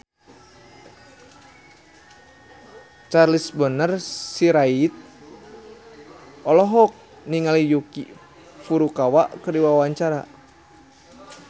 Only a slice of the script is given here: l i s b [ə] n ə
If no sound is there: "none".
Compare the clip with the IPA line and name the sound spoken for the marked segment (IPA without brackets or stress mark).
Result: ə